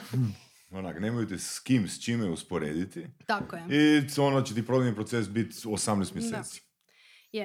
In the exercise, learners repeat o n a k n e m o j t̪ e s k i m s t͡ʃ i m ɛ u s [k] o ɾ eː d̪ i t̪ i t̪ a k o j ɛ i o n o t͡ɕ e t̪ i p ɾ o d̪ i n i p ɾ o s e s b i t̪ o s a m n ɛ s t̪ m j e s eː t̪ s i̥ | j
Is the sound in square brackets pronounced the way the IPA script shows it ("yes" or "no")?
no